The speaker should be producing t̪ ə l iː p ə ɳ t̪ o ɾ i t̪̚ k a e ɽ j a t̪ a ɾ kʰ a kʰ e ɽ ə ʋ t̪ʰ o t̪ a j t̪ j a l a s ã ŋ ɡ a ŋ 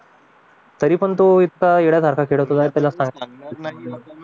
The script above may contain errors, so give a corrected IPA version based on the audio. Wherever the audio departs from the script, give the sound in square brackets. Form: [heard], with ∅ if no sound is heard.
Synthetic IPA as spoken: t̪ ə [ɾ] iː p ə ɳ t̪ o [∅] i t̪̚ k a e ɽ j a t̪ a ɾ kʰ a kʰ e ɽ ə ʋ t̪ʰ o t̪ a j t̪ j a l a s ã ŋ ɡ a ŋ